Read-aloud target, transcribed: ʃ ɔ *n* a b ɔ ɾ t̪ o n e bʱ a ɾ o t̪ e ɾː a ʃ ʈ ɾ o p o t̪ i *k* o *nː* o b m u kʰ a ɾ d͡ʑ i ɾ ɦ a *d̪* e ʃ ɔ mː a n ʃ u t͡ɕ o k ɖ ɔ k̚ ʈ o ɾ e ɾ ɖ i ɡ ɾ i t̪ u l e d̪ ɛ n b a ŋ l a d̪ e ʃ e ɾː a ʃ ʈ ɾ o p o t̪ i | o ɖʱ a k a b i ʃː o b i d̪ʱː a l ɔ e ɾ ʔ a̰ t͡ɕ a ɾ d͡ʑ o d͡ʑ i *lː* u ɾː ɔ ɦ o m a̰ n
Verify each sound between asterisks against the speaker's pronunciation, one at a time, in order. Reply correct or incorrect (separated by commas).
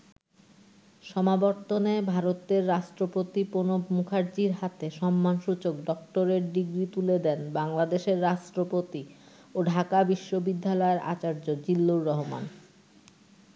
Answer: incorrect, incorrect, incorrect, incorrect, correct